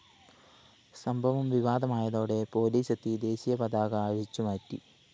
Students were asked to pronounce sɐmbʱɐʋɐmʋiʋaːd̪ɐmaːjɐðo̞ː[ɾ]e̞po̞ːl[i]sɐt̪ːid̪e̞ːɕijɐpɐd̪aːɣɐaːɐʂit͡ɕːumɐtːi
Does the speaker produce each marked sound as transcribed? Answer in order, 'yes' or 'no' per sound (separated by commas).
no, no